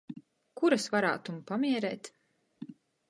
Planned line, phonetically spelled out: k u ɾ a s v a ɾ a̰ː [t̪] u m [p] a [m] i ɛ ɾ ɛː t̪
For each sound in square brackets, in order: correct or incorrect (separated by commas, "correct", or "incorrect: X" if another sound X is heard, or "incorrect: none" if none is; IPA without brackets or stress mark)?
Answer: correct, correct, correct